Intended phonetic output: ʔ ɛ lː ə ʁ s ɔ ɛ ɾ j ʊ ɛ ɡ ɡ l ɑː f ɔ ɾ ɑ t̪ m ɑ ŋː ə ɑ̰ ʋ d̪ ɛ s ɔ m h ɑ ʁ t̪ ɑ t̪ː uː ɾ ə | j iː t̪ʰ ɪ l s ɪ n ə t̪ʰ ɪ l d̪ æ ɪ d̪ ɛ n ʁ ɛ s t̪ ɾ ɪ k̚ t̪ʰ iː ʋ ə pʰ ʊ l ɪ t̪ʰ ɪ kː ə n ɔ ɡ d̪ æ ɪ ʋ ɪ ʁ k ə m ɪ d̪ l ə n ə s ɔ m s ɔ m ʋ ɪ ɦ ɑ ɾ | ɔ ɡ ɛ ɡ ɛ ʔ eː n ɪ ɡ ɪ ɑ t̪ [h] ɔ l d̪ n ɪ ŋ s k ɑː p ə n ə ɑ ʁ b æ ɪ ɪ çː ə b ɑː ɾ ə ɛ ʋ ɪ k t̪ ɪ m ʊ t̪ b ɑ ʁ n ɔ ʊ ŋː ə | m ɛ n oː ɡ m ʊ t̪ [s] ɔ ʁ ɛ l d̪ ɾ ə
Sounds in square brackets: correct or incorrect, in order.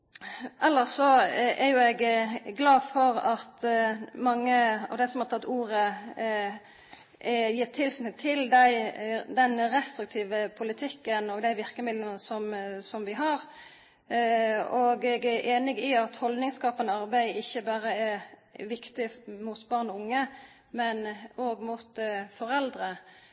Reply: correct, incorrect: f

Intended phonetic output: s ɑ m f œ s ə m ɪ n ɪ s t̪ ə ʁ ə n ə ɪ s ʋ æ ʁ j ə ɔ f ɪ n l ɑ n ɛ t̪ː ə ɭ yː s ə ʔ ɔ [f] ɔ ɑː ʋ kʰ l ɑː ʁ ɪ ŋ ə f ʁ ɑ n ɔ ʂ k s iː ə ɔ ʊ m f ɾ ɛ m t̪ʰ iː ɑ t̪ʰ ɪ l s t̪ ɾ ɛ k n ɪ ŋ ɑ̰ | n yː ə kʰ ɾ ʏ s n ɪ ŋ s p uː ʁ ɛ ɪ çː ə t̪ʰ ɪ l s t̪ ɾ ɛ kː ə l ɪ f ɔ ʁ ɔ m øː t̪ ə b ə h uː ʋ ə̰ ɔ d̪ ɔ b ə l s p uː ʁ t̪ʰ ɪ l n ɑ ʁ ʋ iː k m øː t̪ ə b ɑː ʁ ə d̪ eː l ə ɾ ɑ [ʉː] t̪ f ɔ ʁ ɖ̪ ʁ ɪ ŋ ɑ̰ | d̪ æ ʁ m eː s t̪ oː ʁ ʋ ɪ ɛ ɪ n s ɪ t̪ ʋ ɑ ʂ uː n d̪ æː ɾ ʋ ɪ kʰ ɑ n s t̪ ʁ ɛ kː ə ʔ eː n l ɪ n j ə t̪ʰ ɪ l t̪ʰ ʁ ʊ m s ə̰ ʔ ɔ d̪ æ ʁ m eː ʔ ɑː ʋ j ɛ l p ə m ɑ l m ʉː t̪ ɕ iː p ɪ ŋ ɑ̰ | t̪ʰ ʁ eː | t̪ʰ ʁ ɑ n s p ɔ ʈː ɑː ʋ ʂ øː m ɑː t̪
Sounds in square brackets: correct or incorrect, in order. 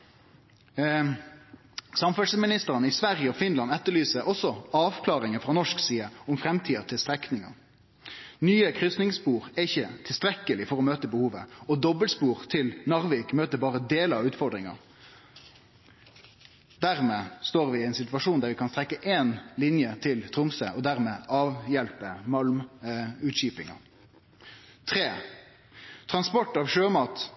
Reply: incorrect: s, correct

